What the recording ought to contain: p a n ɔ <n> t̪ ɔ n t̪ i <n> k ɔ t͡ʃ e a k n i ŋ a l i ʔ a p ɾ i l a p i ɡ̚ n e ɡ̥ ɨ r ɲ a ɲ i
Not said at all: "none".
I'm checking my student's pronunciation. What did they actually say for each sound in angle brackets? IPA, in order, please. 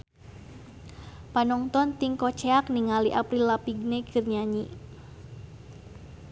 ŋ, ŋ

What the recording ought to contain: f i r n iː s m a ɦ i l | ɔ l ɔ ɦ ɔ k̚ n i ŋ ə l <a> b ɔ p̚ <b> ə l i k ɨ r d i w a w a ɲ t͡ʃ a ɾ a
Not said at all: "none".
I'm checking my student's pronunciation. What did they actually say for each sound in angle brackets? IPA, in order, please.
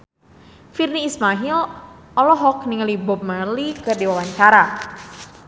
i, m

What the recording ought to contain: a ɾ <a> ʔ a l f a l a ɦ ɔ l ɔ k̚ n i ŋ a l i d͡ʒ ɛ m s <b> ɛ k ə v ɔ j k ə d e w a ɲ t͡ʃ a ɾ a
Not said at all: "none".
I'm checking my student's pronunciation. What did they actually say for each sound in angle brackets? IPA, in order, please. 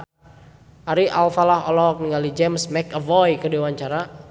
i, m

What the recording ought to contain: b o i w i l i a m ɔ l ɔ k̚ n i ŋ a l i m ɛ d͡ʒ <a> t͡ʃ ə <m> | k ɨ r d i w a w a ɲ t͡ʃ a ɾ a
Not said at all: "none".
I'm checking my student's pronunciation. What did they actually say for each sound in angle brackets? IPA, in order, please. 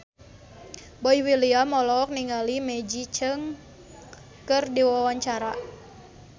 i, ŋ

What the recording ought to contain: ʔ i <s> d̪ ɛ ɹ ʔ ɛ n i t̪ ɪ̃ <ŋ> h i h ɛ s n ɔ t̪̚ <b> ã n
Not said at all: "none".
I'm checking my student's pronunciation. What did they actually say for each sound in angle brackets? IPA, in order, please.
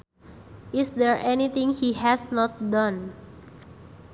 s, ŋ, d

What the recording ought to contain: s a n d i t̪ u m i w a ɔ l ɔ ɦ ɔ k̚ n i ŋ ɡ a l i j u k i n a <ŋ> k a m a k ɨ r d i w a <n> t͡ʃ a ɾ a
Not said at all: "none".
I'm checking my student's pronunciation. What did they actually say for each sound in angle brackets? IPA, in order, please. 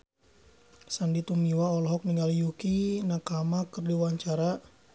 none, ɲ

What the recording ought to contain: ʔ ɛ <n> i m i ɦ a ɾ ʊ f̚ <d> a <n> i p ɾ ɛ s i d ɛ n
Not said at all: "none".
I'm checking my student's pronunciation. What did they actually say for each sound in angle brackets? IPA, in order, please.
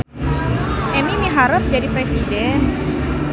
m, d͡ʒ, d

